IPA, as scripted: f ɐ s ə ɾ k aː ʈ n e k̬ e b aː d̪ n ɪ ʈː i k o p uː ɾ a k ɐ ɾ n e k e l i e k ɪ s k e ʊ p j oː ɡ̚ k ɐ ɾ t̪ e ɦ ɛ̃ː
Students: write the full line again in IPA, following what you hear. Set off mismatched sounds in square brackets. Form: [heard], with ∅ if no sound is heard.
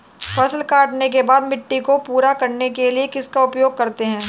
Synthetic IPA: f ɐ s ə [l] k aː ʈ n e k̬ e b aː d̪ [m] ɪ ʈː i k o p uː ɾ a k ɐ ɾ n e k e l i e k ɪ s k [a] ʊ p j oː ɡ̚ k ɐ ɾ t̪ e ɦ ɛ̃ː

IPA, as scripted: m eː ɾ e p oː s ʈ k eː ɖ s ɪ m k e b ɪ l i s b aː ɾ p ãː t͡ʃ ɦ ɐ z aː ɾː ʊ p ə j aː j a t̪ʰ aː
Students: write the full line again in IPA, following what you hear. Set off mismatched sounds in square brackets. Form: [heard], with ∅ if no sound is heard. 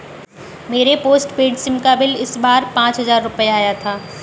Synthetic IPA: m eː ɾ e p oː s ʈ [p] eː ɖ s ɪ m k [a] b ɪ l [ɪ] s b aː ɾ p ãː t͡ʃ ɦ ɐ z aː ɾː ʊ p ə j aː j a t̪ʰ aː

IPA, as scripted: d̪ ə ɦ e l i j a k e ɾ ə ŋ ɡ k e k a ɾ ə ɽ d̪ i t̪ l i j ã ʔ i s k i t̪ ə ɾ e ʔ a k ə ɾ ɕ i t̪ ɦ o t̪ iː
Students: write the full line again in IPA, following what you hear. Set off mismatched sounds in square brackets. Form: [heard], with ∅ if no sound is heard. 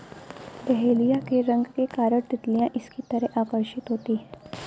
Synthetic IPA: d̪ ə ɦ e l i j a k e ɾ ə ŋ ɡ k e k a ɾ ə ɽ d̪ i t̪ l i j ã ʔ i s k i t̪ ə ɾ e ʔ a k ə ɾ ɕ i t̪ ɦ o t̪ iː

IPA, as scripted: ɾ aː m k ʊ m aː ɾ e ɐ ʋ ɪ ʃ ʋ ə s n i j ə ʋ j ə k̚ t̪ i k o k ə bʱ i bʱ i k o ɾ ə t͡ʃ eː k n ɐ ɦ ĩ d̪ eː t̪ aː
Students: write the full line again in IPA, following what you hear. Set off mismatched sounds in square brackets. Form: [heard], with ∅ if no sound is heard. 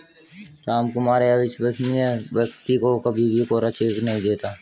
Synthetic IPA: ɾ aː m k ʊ m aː ɾ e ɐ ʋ ɪ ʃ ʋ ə s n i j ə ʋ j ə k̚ t̪ i k o k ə bʱ i bʱ i k o ɾ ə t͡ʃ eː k n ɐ ɦ ĩ d̪ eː t̪ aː

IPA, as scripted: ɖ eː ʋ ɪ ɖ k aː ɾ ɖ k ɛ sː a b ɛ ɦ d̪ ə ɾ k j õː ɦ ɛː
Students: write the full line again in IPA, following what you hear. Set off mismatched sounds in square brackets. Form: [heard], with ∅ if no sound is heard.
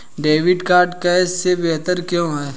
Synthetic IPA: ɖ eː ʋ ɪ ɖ k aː ɾ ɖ k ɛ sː [e] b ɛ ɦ [t̪] ə ɾ k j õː ɦ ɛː

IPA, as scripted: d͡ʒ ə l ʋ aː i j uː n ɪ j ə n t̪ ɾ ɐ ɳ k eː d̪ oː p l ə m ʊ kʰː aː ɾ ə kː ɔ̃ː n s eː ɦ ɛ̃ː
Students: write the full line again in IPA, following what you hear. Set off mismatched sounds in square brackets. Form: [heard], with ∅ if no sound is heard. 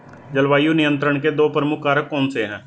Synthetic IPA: d͡ʒ ə l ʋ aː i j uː n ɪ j ə n t̪ ɾ [ə] ɳ k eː d̪ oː p [ɾ] ə m ʊ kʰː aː ɾ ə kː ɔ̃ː n s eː ɦ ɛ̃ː

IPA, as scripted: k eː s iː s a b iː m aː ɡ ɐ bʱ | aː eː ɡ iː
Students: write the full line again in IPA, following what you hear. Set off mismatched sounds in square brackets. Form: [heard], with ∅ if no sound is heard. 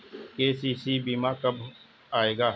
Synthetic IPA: k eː s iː s [i] b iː m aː [k] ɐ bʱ | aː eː ɡ [aː]

